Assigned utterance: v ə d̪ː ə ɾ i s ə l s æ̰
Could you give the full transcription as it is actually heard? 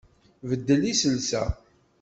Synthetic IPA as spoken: v ə d̪ː ə l i s ə l s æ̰